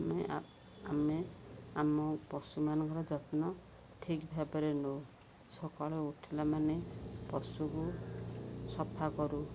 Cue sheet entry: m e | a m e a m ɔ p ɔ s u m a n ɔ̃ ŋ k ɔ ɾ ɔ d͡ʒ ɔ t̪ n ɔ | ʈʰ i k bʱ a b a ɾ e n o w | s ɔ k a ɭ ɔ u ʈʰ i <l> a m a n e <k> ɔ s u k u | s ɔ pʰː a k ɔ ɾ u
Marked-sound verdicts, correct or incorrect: correct, incorrect: p

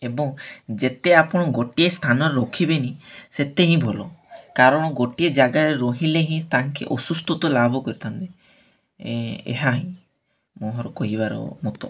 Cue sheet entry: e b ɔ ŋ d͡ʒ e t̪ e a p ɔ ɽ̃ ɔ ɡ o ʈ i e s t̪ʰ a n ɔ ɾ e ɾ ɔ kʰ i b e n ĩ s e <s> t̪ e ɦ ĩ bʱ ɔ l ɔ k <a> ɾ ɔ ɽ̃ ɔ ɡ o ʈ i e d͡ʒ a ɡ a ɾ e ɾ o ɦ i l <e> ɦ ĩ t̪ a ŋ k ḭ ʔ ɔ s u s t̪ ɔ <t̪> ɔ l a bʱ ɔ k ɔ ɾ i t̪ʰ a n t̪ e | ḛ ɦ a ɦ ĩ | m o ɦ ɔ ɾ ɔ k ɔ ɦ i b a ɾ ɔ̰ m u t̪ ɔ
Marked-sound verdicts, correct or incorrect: incorrect: none, correct, correct, correct

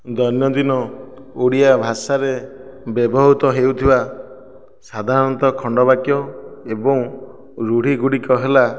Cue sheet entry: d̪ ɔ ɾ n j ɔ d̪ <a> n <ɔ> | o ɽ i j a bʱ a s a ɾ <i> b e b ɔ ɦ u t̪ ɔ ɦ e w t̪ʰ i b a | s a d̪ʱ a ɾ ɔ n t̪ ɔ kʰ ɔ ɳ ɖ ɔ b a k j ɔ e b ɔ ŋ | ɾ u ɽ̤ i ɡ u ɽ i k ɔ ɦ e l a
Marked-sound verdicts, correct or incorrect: incorrect: i, correct, incorrect: e

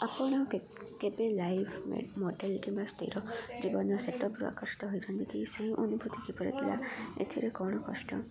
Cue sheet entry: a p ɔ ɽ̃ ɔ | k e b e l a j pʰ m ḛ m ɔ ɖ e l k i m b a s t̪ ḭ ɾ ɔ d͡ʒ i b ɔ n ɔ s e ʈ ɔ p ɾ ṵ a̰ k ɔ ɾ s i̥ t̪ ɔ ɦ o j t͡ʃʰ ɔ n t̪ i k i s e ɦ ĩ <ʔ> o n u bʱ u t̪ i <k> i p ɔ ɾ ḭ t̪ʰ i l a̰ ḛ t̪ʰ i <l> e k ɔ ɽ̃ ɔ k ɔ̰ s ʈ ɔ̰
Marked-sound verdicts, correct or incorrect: correct, correct, incorrect: ɾ

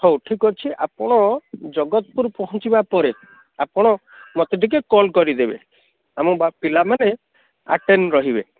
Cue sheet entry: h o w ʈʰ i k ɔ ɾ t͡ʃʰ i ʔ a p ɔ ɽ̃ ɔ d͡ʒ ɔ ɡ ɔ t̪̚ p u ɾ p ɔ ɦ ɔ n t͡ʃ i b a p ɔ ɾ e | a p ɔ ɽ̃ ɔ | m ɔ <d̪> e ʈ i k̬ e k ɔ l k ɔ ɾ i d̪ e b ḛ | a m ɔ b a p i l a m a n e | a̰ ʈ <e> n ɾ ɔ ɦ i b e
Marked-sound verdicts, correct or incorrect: incorrect: t̪, correct

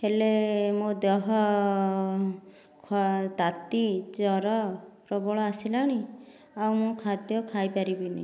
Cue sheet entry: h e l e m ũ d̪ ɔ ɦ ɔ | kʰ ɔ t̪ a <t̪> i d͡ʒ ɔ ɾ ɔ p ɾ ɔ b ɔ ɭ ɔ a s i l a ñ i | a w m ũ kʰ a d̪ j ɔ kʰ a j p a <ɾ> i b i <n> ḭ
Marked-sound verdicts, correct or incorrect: correct, correct, correct

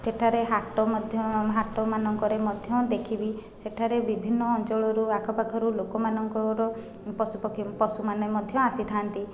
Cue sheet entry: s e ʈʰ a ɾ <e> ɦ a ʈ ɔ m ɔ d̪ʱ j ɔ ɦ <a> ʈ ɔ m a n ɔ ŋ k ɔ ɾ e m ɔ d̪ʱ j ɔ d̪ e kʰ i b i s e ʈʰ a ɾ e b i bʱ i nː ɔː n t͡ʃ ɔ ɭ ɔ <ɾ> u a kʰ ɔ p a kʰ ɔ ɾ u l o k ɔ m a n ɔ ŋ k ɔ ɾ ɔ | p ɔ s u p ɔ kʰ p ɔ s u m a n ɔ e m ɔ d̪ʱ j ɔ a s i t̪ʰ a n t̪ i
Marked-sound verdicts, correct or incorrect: correct, correct, correct

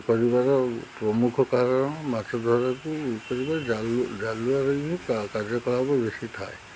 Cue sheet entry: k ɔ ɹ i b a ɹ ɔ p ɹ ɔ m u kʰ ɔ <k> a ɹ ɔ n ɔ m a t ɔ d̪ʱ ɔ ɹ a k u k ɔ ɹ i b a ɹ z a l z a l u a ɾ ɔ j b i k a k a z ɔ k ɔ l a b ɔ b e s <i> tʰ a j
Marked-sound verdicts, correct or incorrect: correct, correct

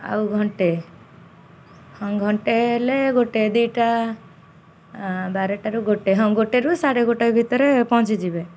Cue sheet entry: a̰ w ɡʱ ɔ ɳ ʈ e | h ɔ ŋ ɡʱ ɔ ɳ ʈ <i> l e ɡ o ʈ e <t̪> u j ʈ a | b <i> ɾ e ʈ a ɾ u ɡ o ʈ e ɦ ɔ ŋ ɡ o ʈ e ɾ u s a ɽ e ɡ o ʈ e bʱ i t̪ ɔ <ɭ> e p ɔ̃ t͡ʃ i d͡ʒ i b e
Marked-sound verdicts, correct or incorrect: incorrect: e, incorrect: d̪, incorrect: a, incorrect: ɾ

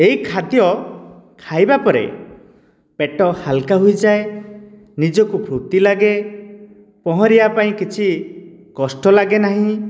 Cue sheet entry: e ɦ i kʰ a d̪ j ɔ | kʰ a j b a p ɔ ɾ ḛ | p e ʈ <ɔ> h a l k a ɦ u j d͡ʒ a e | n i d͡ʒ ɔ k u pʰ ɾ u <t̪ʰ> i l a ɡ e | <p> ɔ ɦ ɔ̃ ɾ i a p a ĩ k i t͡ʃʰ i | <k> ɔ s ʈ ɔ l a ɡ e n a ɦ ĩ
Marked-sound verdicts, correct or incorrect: correct, incorrect: t̪, correct, correct

